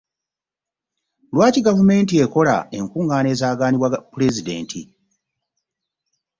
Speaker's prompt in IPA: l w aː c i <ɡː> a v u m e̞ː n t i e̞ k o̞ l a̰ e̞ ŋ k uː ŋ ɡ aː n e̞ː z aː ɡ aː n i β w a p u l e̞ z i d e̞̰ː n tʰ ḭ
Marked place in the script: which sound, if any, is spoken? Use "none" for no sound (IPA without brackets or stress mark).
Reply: ɡ